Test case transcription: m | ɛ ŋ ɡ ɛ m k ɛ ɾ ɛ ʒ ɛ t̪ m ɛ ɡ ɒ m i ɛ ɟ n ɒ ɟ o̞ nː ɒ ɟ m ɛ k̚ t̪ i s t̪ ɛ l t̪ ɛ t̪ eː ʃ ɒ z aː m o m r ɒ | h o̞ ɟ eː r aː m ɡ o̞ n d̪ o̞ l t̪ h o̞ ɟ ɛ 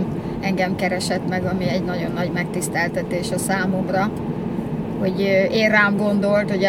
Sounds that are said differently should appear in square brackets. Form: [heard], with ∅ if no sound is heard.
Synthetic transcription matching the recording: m | ɛ ŋ ɡ ɛ m k ɛ ɾ ɛ [ʃ] ɛ t̪ m ɛ ɡ ɒ m i ɛ ɟ n ɒ ɟ o̞ nː ɒ ɟ m ɛ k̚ t̪ i s t̪ ɛ l t̪ ɛ t̪ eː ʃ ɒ [s] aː m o m r ɒ | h o̞ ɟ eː r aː m ɡ o̞ n d̪ o̞ l t̪ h o̞ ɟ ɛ